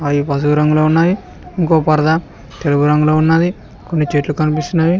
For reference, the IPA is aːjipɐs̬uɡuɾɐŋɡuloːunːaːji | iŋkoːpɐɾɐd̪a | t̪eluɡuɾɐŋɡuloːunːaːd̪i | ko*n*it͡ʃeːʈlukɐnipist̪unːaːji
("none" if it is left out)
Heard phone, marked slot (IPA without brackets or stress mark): nː